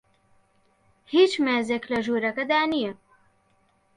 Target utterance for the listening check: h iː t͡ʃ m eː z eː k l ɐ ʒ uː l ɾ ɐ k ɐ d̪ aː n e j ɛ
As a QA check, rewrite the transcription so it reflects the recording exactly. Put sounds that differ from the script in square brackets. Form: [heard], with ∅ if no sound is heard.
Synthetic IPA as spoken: h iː t͡ʃ m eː z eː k l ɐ ʒ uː [∅] ɾ ɐ k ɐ d̪ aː n [i] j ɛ